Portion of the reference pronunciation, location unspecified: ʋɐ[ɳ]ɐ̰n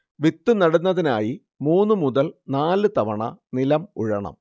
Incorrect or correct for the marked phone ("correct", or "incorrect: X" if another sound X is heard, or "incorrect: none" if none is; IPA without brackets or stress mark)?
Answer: correct